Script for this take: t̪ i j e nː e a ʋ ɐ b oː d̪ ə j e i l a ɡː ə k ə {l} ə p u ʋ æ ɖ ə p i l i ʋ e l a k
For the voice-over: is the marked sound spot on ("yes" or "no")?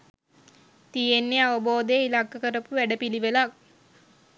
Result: no